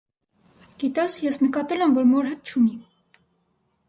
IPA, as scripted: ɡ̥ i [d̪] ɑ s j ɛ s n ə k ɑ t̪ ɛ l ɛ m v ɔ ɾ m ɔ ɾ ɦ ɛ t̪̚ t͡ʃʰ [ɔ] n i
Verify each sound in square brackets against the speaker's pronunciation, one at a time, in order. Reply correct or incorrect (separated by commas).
incorrect, incorrect